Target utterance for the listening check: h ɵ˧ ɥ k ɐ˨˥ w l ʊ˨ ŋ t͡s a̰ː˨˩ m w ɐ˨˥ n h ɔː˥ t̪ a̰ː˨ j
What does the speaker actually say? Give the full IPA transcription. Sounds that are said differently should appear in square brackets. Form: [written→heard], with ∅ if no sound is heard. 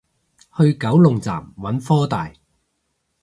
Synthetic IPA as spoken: h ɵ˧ ɥ k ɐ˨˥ w l ʊ˨ ŋ t͡s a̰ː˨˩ m w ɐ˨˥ n [h→f] ɔː˥ t̪ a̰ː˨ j